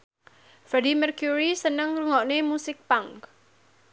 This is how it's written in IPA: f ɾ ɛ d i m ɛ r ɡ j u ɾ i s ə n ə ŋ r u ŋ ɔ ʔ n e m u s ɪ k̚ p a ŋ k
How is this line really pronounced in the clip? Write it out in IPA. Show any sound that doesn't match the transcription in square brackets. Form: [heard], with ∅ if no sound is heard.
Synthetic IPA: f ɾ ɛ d i m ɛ r [k] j u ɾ i s ə n ə ŋ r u ŋ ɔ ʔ n e m u s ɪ k̚ p a ŋ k

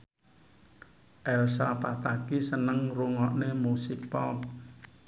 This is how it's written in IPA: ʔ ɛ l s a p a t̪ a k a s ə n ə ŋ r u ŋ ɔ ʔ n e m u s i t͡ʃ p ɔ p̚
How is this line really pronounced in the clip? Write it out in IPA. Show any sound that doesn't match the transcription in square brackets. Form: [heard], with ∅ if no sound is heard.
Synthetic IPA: ʔ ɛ l s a p a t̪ a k [i] s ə n ə ŋ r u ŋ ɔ ʔ n e m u s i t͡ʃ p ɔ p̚

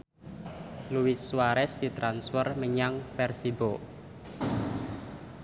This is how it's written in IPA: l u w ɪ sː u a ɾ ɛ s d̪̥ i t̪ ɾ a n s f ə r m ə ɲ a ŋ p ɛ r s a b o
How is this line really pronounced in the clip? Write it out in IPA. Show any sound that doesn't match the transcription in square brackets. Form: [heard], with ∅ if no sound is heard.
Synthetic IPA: l u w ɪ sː [w] a ɾ ɛ s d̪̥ i t̪ ɾ a n s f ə r m ə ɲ a ŋ p ɛ r s [i] b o

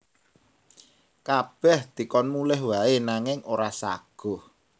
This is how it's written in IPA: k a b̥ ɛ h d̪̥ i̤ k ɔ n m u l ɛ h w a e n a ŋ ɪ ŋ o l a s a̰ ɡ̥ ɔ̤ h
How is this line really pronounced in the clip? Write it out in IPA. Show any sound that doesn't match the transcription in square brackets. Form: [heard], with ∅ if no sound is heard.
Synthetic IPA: k a b̥ ɛ h d̪̥ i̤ k ɔ n m u l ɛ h w a e n a ŋ ɪ ŋ o [ɾ] a s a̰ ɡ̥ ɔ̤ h

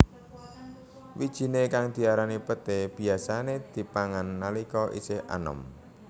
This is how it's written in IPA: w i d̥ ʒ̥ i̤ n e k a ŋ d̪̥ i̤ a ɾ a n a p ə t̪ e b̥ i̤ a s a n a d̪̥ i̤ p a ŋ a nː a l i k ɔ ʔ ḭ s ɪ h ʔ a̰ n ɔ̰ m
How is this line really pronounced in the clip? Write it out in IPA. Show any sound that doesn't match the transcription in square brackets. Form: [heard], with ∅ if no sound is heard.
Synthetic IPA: w i d̥ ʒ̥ i̤ n e k a ŋ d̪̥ i̤ a ɾ a n [i] p ə t̪ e b̥ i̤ a s a n [e] d̪̥ i̤ p a ŋ a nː a l i k ɔ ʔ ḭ s ɪ h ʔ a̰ n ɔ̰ m

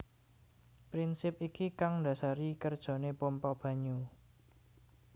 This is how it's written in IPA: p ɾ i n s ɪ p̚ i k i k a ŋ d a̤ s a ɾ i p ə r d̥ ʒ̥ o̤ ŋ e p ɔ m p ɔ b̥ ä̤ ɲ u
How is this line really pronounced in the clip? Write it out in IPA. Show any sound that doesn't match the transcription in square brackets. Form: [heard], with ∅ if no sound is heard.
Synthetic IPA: p ɾ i n s ɪ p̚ i k i k a ŋ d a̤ s a ɾ i [k] ə r d̥ ʒ̥ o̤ [n] e p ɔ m p ɔ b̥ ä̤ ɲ u

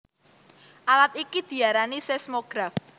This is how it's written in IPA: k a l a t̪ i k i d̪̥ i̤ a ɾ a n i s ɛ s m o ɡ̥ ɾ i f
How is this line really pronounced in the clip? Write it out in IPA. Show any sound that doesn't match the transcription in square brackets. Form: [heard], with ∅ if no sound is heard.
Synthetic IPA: [ʔ] a l a t̪ i k i d̪̥ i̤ a ɾ a n i s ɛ s m o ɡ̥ ɾ [a] f

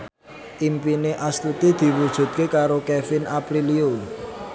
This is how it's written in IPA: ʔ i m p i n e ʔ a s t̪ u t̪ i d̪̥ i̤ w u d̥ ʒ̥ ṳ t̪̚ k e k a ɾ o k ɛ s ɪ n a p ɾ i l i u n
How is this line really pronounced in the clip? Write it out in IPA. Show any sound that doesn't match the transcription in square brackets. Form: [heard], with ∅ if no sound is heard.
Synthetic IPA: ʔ i m p i n e ʔ a s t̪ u t̪ i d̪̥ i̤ w u d̥ ʒ̥ ṳ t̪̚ k e k a ɾ o k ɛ [f] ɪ n a p ɾ i l i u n

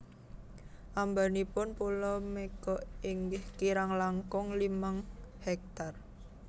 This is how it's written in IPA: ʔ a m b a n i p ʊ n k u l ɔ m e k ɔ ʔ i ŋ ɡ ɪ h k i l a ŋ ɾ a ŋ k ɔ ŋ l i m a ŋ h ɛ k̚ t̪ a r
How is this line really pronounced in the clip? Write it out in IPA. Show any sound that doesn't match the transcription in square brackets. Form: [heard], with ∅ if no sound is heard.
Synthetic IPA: ʔ a m b a n i p ʊ n [p] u l ɔ m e k ɔ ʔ i ŋ ɡ ɪ h k i [ɾ] a ŋ [l] a ŋ k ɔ ŋ l i m a ŋ h ɛ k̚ t̪ a r

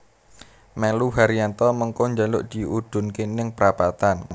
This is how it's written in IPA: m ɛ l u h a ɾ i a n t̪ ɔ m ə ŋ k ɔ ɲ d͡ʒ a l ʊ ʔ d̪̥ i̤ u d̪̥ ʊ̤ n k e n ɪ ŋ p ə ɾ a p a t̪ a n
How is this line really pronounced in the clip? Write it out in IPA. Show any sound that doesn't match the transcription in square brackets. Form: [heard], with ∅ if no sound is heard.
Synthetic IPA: m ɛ l u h a ɾ i a n t̪ ɔ m ə ŋ k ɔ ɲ d͡ʒ a l ʊ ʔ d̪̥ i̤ u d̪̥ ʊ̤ n k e n ɪ ŋ p ə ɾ a p a t̪ a n

